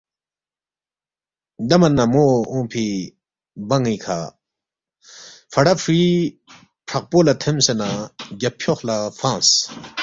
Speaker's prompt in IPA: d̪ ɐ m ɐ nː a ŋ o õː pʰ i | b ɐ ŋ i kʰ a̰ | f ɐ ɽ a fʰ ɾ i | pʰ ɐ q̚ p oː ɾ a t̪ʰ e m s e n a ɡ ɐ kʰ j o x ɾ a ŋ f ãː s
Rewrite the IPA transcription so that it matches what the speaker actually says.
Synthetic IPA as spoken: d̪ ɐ m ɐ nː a m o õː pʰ i | b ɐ ŋ i kʰ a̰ | f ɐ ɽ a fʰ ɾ i | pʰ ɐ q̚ p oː l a t̪ʰ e m s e n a ɡ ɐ pʰ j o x l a f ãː s